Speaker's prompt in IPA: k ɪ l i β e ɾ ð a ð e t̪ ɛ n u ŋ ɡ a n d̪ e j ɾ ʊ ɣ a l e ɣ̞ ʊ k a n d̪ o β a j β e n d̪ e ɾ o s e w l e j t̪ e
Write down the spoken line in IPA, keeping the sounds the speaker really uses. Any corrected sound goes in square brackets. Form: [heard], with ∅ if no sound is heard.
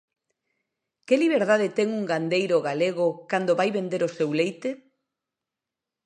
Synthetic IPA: k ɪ l i β e ɾ ð a ð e t̪ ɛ [ŋ] u ŋ ɡ a n d̪ e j ɾ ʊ ɣ a l e ɣ̞ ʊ k a n d̪ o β a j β e n d̪ e ɾ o s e w l e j t̪ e